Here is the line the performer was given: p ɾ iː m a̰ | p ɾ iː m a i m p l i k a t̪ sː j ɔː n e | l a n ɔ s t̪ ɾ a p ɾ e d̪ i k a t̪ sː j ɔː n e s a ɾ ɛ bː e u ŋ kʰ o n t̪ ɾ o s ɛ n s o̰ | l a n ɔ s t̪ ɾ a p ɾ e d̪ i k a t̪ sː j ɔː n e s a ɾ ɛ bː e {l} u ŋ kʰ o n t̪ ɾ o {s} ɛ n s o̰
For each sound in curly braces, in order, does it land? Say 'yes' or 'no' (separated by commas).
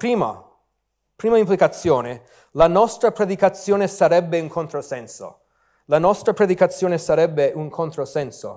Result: no, yes